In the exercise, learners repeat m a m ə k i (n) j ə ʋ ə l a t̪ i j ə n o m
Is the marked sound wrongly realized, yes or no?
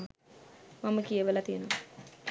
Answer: yes